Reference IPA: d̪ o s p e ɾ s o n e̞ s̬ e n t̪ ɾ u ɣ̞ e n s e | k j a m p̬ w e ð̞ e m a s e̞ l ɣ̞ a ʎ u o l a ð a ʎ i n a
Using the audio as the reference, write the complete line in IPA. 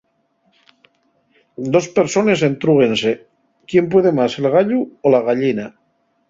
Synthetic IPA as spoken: d̪ o s p e ɾ s o n e̞ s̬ e n t̪ ɾ u ɣ̞ e n s e | k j e m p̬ w e ð̞ e m a s e̞ l ɣ̞ a ʎ u o l a ɣ a ʎ i n a